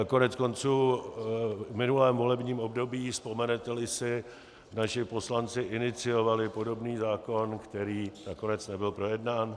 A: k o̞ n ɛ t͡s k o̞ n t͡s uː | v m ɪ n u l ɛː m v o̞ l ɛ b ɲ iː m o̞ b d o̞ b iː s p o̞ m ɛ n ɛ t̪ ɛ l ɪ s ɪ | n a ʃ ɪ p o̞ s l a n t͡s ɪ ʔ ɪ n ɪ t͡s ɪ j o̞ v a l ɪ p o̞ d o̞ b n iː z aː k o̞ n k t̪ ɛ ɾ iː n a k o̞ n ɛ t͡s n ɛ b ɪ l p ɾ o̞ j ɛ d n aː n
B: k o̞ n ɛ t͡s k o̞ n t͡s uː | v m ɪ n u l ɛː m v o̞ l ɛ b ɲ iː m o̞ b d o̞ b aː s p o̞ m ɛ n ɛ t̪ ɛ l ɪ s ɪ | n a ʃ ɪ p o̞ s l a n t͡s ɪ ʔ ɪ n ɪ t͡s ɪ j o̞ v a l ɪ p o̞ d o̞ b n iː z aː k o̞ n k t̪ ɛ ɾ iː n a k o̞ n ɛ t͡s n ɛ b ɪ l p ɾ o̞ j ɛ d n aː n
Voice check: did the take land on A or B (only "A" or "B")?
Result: A